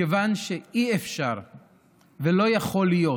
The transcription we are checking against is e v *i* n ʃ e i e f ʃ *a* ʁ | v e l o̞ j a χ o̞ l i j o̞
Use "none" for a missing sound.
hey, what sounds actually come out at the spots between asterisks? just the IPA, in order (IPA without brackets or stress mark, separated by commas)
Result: a, a